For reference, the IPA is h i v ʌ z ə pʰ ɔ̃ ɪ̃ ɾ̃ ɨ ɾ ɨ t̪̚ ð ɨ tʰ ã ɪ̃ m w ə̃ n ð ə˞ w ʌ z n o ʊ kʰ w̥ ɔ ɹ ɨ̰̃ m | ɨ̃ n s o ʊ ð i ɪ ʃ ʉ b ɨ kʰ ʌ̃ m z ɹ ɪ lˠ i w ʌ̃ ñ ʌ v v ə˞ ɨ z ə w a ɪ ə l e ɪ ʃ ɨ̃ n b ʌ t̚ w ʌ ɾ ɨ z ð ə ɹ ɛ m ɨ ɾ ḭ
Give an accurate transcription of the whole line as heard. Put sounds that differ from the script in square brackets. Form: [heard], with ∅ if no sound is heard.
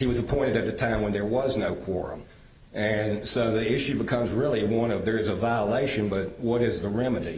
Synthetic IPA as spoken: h i [w] ʌ z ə pʰ ɔ̃ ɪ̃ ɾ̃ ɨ ɾ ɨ t̪̚ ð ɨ tʰ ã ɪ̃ m w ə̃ n ð ə˞ w ʌ z n o ʊ kʰ w̥ ɔ ɹ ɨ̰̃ m | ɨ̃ n s o ʊ ð i ɪ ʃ ʉ b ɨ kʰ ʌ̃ m z ɹ ɪ lˠ i w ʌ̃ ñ ʌ v [ð] ə˞ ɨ z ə [v] a ɪ ə l e ɪ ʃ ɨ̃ n b ʌ t̚ w ʌ ɾ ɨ z ð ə ɹ ɛ m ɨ ɾ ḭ